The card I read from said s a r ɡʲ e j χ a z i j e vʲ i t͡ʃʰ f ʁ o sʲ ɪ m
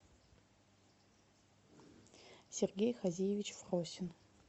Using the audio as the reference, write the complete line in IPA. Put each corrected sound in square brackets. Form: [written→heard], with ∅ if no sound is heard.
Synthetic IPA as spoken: s [a→e] r ɡʲ e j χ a z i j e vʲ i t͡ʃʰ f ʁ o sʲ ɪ [m→n]